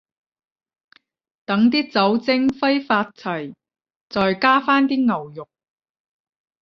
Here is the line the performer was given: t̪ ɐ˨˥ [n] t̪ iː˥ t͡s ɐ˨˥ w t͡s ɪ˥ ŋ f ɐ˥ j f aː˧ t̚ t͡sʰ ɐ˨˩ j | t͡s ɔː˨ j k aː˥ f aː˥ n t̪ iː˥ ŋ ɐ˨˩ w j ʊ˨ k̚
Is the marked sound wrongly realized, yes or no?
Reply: yes